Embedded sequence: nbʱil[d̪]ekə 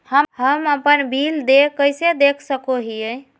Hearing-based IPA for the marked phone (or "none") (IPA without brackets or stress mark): d̪